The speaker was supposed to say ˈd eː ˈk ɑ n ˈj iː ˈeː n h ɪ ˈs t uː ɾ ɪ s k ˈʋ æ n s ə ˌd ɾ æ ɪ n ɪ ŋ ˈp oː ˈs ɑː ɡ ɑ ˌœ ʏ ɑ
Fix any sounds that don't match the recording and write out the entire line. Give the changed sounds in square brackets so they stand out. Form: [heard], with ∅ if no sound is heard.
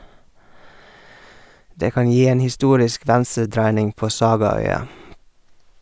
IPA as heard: ˈd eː ˈk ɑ n ˈj iː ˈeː n h ɪ ˈs t uː ɾ ɪ s k ˈʋ æ n s ə ˌd ɾ æ ɪ n ɪ ŋ ˈp oː ˈs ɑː ɡ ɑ ˌœ ʏ ɑ